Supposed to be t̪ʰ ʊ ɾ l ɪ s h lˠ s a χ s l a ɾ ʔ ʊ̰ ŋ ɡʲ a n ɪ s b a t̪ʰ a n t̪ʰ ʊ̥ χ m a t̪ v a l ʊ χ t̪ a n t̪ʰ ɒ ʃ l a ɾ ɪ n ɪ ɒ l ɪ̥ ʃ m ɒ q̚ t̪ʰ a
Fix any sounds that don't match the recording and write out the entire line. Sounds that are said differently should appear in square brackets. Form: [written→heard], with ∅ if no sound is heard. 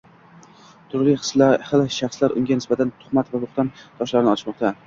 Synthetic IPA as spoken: t̪ʰ ʊ ɾ l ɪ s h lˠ [s→ʃ] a χ s l a ɾ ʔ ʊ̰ ŋ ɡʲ a n ɪ s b a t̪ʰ a n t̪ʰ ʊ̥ χ m a t̪ v a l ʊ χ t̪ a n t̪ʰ ɒ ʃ l a ɾ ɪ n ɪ ɒ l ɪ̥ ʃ m ɒ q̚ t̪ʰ a